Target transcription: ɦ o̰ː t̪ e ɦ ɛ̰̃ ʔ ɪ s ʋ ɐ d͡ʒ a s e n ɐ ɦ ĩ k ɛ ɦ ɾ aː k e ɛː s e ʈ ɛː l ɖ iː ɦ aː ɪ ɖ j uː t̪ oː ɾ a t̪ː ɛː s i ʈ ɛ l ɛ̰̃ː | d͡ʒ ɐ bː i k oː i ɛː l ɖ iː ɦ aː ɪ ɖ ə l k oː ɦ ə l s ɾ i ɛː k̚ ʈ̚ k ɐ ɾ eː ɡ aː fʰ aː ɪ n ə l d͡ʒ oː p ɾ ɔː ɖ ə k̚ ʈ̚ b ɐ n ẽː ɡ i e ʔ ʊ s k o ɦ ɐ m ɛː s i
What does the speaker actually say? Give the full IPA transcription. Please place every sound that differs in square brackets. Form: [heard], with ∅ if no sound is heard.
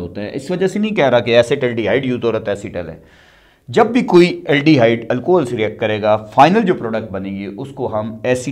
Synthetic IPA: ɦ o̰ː t̪ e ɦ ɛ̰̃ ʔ ɪ s ʋ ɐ d͡ʒ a s e n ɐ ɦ ĩ k ɛ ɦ ɾ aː k e ɛː s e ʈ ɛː l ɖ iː ɦ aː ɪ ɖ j uː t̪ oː ɾ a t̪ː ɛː s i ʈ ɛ l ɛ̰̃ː | d͡ʒ ɐ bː i k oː i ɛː l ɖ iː ɦ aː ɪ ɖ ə l k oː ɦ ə l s ɾ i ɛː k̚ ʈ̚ k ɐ ɾ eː ɡ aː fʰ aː ɪ n ə l d͡ʒ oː p ɾ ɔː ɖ ə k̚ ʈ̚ b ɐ n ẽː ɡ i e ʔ ʊ s k o ɦ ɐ m ɛː s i